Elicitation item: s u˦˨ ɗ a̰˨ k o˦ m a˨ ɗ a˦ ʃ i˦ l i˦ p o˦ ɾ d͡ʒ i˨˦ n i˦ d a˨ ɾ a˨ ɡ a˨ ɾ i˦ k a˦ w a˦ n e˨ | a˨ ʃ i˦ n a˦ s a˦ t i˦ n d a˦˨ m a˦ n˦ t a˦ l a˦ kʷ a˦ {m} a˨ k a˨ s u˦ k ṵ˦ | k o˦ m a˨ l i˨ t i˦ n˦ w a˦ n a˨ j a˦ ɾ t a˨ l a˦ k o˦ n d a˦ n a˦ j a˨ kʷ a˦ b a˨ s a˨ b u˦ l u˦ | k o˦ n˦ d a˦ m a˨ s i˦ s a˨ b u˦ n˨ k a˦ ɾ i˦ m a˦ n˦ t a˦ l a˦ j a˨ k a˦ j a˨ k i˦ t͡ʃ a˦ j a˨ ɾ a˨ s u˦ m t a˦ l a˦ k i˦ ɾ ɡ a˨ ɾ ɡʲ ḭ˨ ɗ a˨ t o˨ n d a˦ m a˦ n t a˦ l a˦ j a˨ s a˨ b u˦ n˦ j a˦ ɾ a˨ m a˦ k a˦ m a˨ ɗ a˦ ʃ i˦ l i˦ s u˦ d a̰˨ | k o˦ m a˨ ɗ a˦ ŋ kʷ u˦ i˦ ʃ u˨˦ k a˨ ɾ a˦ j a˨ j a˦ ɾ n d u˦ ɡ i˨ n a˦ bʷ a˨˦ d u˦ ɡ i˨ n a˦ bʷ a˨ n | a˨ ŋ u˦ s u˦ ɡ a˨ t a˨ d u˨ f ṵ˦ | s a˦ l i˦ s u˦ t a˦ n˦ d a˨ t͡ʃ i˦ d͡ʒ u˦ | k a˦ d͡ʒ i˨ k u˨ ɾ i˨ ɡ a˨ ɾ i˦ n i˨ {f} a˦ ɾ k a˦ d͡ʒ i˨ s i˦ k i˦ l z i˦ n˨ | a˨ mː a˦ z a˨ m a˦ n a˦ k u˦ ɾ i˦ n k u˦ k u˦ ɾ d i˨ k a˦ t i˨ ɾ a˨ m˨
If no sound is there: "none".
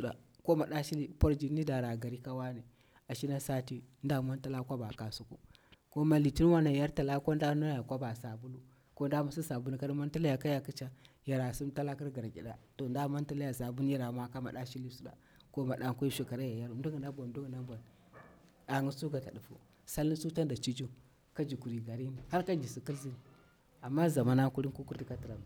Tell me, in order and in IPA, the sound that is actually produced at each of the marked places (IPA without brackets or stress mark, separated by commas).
b, h